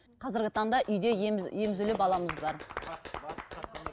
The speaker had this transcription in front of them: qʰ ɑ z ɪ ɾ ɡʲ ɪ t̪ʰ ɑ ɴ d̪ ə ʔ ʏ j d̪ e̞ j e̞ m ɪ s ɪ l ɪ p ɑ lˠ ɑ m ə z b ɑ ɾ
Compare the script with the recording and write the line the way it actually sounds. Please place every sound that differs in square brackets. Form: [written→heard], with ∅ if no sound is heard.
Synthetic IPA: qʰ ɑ z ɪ ɾ ɡʲ ɪ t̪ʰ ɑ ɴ d̪ [ə→ɑ] ʔ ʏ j d̪ e̞ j e̞ m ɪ [s→z] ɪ l ɪ p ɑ lˠ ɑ m ə z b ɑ ɾ